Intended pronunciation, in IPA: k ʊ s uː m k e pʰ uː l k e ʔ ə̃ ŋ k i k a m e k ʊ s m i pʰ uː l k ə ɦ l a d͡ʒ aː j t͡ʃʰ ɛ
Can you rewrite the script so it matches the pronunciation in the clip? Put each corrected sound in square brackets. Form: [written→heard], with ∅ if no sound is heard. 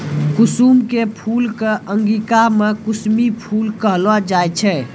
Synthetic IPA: k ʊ s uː m k e pʰ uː l k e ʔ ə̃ ŋ [k→ɡ] i k a m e k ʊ s m i pʰ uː l k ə ɦ l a d͡ʒ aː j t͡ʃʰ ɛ